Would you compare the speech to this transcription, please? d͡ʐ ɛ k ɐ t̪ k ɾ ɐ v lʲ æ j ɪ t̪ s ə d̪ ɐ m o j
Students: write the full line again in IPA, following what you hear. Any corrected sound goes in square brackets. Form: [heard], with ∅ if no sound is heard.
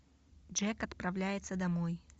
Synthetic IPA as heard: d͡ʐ ɛ k ɐ t̪ [p] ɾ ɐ v lʲ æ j ɪ t̪ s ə d̪ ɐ m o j